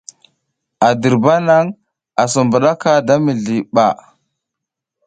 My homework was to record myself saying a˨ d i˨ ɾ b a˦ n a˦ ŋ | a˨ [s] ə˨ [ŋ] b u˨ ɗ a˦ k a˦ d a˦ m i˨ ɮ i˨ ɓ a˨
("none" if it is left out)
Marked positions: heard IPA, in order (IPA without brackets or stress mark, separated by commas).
s, m